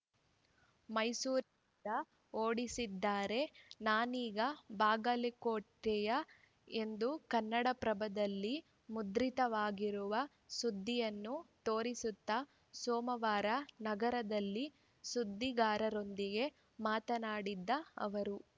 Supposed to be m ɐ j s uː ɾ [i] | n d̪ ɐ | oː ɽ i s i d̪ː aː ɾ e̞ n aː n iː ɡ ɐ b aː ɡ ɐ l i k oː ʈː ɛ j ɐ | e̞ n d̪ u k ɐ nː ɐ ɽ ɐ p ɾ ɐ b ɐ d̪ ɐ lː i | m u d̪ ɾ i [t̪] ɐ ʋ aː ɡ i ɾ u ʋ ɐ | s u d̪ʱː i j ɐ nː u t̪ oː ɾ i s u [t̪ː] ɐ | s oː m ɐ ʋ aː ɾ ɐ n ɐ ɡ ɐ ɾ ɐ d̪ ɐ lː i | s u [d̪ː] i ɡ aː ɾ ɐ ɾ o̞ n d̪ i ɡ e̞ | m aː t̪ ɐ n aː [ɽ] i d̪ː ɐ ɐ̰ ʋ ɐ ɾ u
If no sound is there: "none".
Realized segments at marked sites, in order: i, t̪, t̪ː, d̪ː, ɽ

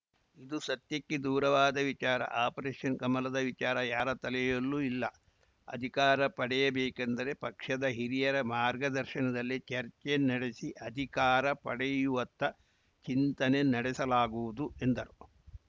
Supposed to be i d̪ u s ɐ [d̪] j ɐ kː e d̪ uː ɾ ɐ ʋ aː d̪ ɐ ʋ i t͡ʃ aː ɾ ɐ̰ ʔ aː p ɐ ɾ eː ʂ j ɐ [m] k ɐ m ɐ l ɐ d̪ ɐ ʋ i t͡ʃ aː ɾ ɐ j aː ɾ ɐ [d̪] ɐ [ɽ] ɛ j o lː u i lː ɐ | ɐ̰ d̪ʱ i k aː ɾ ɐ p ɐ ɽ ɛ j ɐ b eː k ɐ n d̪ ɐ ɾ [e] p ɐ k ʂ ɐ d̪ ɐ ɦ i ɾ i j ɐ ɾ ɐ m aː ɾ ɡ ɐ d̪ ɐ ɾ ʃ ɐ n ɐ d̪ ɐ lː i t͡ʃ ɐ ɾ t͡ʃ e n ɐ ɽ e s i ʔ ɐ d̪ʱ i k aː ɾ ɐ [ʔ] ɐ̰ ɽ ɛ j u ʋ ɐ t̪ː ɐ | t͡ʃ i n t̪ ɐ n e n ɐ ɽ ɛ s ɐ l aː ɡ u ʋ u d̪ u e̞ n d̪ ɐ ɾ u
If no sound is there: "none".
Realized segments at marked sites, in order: t̪, n, t̪, l, e, p

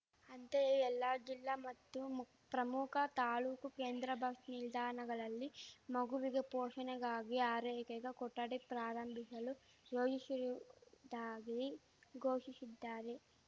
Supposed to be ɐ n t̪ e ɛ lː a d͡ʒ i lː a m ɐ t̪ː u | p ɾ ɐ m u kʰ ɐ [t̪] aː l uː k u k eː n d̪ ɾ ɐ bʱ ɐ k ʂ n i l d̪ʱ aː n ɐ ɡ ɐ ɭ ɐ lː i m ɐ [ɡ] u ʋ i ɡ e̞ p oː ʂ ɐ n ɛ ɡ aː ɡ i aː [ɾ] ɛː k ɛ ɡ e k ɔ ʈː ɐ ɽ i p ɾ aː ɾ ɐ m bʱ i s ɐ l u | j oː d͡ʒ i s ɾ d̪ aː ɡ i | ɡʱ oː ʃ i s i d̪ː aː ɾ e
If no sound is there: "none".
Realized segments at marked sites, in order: t̪, ɡ, ɾ

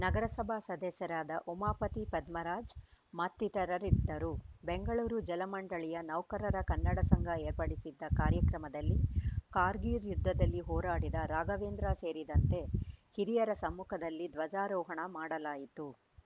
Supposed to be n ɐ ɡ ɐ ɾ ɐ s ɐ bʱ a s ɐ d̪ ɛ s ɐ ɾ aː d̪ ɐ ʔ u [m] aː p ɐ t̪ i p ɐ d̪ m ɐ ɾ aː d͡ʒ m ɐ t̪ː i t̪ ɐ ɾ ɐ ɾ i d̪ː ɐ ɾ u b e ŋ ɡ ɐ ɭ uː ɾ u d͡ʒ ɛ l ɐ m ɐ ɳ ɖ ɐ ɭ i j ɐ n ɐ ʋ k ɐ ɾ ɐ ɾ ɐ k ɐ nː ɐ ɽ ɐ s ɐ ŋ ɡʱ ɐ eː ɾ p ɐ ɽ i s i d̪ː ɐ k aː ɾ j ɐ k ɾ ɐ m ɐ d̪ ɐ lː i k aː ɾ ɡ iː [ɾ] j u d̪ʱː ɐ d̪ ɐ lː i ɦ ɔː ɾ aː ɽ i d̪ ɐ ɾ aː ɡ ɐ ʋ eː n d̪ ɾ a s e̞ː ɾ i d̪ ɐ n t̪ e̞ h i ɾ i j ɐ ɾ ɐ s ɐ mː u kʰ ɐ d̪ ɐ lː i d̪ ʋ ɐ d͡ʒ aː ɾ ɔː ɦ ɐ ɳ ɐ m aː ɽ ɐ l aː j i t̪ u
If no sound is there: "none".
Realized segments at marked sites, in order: m, ɾ

